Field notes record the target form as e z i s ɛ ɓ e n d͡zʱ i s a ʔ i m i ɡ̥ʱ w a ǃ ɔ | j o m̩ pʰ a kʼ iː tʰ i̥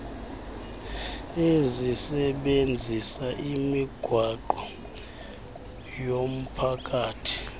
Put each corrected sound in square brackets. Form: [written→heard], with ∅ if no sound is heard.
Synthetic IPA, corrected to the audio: e z i s ɛ ɓ e n d͡zʱ i s a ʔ i m i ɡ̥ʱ w a ǃ ɔ | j o m̩ pʰ a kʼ [iː→aː] tʰ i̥